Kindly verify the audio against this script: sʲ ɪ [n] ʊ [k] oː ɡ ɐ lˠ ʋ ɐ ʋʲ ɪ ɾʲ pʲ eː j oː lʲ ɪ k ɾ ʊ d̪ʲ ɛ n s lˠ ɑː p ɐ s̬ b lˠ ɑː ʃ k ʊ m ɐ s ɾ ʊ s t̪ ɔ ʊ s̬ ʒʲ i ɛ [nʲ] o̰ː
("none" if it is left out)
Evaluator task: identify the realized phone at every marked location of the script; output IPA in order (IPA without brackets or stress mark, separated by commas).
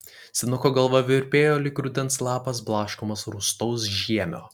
n, k, mʲ